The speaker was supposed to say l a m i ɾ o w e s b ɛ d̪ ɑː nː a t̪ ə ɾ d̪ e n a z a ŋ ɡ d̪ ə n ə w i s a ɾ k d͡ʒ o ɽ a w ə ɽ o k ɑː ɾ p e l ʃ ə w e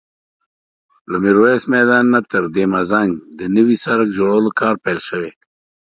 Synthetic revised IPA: l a m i ɾ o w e s m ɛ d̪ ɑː nː a t̪ ə ɾ d̪ e m a z a ŋ ɡ d̪ ə n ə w i s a ɾ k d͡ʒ o ɽ a w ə l o k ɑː ɾ p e l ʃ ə w e